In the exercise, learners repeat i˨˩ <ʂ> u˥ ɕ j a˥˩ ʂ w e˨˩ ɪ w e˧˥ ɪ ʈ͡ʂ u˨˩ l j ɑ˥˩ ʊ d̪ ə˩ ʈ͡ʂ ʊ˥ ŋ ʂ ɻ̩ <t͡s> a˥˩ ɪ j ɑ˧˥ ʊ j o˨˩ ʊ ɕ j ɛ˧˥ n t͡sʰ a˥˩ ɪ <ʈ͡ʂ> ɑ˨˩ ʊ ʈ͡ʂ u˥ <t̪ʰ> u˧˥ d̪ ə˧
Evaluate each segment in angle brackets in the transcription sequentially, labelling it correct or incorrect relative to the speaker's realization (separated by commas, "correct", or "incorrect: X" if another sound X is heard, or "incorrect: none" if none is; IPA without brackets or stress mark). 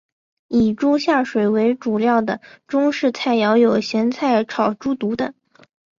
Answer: incorrect: ʈ͡ʂ, incorrect: t͡sʰ, incorrect: ʈ͡ʂʰ, incorrect: t̪